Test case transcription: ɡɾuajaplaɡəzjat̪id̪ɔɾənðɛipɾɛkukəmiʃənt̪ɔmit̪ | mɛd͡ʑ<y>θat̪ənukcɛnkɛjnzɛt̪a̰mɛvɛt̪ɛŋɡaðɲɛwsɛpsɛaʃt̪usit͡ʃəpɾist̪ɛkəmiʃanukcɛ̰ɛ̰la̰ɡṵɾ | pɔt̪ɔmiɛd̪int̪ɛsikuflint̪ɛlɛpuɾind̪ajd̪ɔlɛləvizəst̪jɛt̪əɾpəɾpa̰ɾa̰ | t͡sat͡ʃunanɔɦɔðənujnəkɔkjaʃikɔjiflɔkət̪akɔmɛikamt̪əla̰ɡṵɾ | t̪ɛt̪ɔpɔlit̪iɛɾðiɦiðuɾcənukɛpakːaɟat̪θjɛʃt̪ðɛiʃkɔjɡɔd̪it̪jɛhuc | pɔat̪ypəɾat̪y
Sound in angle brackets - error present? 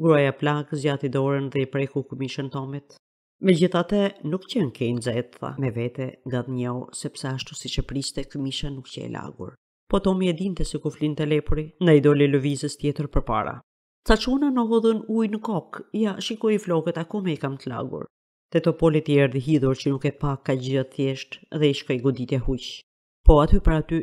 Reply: yes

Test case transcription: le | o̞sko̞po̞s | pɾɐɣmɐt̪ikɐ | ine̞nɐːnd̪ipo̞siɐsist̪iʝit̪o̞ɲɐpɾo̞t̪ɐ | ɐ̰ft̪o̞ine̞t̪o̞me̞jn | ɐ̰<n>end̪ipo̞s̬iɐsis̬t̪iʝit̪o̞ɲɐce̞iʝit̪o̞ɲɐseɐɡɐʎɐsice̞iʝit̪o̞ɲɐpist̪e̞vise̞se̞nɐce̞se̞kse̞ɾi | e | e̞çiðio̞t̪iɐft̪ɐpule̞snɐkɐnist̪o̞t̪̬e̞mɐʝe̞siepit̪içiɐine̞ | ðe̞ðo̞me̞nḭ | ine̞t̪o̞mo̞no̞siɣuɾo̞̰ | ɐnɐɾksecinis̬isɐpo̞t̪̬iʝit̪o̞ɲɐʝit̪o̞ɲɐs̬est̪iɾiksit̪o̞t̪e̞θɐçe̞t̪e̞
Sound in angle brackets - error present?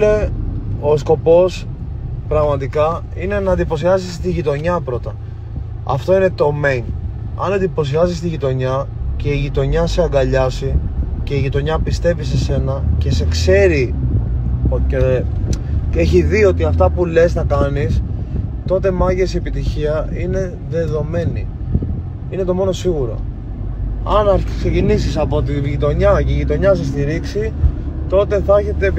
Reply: no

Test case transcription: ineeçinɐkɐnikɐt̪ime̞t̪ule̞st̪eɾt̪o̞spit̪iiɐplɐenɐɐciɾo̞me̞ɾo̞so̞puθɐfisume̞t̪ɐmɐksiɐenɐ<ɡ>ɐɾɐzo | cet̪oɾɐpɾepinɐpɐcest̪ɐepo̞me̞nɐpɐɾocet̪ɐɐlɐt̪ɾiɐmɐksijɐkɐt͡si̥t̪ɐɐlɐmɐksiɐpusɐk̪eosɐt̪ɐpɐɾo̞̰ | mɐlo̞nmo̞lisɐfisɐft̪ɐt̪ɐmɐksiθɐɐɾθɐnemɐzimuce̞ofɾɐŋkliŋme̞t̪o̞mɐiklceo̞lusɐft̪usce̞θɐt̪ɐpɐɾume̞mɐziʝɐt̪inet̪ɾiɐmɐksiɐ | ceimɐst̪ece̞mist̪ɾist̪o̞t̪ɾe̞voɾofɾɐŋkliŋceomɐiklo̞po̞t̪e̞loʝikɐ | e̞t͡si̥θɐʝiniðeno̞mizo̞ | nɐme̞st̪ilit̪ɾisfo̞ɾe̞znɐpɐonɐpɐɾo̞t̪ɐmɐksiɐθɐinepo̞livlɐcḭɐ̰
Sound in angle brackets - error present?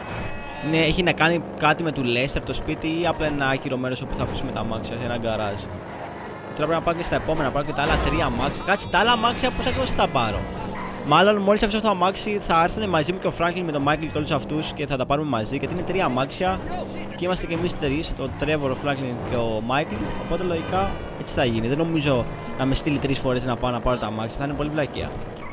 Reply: no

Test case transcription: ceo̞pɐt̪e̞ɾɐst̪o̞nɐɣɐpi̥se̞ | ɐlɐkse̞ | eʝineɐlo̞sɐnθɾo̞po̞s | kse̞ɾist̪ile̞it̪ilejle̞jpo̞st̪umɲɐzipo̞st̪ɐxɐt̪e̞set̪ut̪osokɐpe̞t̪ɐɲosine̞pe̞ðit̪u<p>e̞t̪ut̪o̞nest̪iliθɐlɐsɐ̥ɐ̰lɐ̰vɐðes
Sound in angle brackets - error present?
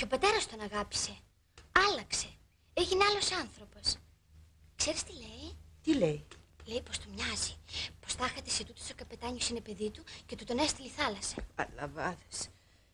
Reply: yes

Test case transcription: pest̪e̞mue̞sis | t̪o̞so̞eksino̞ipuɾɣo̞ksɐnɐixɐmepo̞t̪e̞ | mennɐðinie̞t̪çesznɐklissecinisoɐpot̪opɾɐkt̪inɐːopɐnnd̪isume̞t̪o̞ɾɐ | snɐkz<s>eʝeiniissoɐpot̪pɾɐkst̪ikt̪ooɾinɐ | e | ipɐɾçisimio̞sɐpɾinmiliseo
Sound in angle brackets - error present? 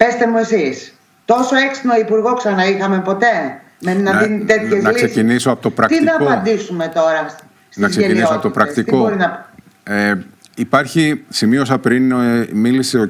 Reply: no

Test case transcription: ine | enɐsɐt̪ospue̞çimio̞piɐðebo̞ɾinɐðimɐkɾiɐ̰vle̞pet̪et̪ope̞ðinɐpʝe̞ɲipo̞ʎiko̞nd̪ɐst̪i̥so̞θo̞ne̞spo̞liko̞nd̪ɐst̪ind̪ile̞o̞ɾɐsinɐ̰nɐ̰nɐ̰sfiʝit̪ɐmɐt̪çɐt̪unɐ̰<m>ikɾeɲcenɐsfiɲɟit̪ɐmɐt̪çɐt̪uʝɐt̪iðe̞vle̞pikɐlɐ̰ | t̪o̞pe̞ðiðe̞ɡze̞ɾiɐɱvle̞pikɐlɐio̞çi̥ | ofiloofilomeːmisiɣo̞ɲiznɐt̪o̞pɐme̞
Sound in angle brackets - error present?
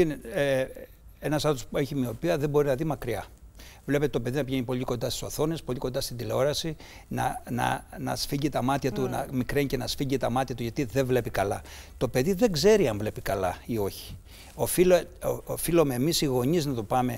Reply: no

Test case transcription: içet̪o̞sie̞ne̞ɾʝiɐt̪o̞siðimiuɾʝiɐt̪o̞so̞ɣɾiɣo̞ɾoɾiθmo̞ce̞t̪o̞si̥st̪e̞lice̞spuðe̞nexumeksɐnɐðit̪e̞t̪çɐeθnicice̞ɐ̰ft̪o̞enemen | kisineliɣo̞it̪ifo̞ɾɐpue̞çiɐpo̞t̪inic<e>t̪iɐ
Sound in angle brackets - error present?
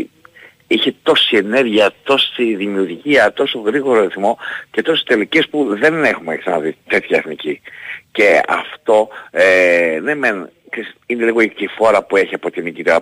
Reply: yes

